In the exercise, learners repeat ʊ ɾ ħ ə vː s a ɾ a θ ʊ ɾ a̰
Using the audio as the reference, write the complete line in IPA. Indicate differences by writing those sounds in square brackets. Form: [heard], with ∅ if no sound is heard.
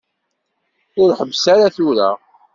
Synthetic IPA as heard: ʊ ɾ ħ ə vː s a ɾ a θ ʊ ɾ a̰

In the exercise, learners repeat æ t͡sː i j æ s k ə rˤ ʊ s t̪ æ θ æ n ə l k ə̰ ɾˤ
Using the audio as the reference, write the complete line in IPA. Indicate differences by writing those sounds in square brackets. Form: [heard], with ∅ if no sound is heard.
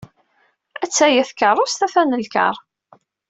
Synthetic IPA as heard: æ t͡sː [æ] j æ [θ] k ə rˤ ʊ s t̪ æ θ æ n ə l k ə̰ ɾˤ

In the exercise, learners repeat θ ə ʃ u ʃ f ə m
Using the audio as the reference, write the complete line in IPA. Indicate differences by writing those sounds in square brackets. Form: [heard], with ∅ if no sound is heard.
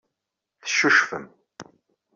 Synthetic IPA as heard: θ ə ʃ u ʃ f ə m

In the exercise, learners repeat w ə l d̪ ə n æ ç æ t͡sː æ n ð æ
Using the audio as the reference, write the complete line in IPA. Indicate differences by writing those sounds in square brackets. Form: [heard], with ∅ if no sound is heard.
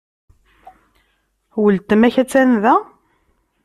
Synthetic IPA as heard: w ə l [t̪] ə [m] æ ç æ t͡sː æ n ð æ

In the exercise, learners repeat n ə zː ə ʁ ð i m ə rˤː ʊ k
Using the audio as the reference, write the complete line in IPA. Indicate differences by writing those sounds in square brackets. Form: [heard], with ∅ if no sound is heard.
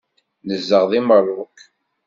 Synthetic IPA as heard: n ə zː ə ʁ ð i m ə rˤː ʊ k

